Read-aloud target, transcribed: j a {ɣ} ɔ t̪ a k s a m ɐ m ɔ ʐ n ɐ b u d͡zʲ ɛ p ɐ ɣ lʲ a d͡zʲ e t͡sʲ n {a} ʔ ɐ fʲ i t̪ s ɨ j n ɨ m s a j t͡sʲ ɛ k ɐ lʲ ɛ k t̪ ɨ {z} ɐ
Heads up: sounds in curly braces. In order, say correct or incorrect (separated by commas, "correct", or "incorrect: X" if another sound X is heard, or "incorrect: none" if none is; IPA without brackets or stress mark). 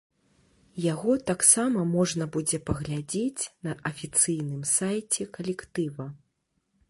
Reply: correct, incorrect: ɐ, incorrect: v